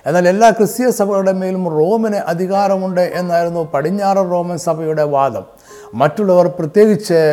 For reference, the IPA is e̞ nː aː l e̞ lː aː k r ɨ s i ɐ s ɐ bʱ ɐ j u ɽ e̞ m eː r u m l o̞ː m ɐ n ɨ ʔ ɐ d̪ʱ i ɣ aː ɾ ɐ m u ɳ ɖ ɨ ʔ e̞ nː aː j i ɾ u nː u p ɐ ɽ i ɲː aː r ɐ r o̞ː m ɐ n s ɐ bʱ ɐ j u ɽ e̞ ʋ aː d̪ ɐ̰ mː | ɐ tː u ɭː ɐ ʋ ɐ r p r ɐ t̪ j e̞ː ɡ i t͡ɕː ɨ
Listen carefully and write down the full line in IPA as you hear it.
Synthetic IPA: e̞ nː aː l e̞ lː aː k r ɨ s j ɐ s ɐ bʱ ɐ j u ɽ e̞ m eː l u m r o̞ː m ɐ n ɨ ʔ ɐ d̪ʱ i ɣ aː ɾ ɐ m u ɳ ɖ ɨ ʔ e̞ nː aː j i ɾ u nː u p ɐ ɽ i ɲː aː r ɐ r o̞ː m ɐ n s ɐ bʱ ɐ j u ɽ e̞ ʋ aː d̪ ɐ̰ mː | ɐ tː u ɭː ɐ ʋ ɐ r p r ɐ t̪ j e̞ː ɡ i t͡ɕː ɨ